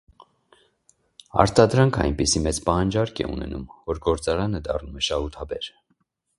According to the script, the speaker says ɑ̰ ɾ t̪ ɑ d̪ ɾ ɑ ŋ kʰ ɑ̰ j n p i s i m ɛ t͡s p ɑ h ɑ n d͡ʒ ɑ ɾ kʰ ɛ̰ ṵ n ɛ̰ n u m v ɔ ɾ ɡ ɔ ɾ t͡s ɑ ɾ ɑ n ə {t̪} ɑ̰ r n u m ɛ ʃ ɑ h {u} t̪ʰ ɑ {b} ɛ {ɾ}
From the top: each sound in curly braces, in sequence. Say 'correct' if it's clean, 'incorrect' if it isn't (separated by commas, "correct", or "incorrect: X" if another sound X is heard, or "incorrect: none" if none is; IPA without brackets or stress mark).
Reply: incorrect: d̪, correct, correct, correct